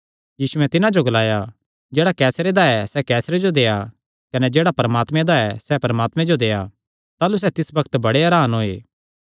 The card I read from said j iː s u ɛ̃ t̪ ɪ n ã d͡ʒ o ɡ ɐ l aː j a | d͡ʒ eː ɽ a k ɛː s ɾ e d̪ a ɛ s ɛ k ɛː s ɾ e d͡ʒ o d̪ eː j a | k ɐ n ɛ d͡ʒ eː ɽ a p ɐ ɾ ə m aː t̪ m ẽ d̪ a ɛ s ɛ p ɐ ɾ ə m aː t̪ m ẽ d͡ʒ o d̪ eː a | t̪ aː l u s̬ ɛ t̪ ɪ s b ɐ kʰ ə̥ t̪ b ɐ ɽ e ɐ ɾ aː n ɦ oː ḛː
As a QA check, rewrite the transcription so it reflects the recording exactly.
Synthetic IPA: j iː s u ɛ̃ t̪ ɪ n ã d͡ʒ o ɡ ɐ l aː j a | d͡ʒ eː ɽ a k ɛː s ɾ e d̪ a ɛ s ɛ k ɛː s ɾ e d͡ʒ o d̪ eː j a | k ɐ n ɛ d͡ʒ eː ɽ a p ɐ ɾ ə m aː t̪ m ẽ d̪ a ɛ s ɛ p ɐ ɾ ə m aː t̪ m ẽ d͡ʒ o d̪ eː a | t̪ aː l u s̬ ɛ t̪ ɪ s b ɐ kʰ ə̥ t̪ b ɐ ɽ e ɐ ɾ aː n ɦ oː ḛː